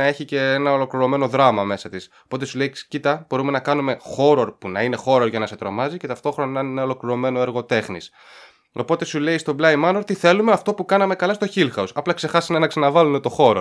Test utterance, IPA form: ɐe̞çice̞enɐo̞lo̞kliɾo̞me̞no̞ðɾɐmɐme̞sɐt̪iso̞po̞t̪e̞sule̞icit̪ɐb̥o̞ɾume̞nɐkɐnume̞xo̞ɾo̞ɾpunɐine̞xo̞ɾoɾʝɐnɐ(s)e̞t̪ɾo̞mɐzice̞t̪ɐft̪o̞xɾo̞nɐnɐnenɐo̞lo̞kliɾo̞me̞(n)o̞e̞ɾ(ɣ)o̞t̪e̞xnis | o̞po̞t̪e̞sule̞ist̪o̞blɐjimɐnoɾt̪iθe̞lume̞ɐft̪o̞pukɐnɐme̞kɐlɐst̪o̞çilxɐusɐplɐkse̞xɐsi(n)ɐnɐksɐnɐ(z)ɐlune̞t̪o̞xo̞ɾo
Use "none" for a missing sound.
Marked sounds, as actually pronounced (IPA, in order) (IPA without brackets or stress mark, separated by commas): s, n, ɣ, n, v